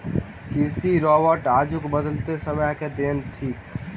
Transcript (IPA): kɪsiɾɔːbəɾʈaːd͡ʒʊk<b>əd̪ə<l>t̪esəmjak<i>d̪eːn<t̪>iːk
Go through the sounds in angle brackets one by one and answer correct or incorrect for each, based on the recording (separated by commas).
correct, correct, incorrect, incorrect